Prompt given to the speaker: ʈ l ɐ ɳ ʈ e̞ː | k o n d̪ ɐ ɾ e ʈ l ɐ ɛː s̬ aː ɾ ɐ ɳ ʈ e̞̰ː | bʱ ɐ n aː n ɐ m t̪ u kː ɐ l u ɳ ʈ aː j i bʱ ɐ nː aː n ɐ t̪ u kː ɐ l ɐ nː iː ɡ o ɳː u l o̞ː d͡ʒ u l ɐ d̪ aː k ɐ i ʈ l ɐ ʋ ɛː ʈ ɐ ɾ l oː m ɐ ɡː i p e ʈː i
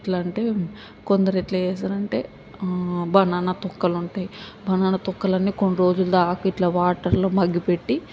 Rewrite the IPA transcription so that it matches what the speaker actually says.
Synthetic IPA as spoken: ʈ l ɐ ɳ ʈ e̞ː | k o n d̪ ɐ ɾ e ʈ l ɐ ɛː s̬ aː ɾ ɐ ɳ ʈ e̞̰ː | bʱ ɐ n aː n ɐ t̪ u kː ɐ l u ɳ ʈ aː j i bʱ ɐ n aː n ɐ t̪ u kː ɐ l ɐ nː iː k o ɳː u ɾ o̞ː d͡ʒ u l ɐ d̪ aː k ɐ i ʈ l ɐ ʋ aː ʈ ɐ ɾ l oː m ɐ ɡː i p e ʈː i